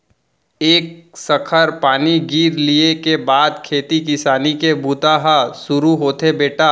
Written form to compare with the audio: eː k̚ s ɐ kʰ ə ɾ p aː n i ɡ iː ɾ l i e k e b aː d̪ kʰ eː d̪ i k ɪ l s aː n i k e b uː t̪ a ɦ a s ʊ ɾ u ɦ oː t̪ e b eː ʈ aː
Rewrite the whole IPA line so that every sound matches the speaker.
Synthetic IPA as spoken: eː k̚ s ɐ kʰ ə ɾ p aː n i ɡ iː ɾ l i e k e b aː d̪ kʰ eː t̪ i k ɪ s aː n i k e b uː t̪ a ɦ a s ʊ ɾ u ɦ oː t̪ e b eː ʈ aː